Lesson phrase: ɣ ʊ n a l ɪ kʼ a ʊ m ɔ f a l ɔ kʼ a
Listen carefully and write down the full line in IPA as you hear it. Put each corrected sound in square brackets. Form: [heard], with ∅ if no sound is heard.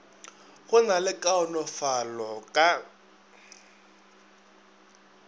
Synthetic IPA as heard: ɣ ʊ n a l ɪ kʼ a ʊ [n] ɔ f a l ɔ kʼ a